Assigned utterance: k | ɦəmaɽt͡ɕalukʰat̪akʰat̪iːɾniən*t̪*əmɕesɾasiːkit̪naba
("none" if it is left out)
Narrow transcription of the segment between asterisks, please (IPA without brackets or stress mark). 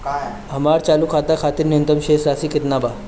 t̪